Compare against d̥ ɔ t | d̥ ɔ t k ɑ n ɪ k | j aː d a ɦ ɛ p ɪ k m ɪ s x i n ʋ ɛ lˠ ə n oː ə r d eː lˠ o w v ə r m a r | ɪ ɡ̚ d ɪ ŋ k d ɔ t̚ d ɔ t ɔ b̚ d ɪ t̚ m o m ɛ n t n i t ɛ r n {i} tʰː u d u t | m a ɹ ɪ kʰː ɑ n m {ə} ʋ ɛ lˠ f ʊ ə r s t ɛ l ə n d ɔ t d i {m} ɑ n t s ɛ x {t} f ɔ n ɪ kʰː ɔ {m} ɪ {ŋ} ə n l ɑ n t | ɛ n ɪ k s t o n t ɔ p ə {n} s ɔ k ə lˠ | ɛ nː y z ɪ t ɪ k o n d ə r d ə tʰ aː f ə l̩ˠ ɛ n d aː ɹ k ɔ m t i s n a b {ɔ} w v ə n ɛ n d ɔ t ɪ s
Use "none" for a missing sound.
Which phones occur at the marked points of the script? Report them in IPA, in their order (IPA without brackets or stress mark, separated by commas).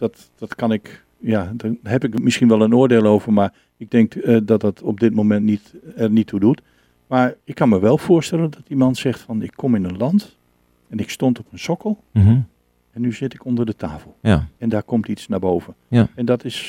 i, ə, m, t, m, n, n, o